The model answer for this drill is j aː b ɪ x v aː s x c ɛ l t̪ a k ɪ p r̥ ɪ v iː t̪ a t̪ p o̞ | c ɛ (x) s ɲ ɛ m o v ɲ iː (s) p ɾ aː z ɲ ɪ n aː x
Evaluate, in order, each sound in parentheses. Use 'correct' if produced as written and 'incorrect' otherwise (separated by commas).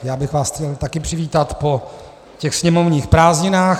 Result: correct, incorrect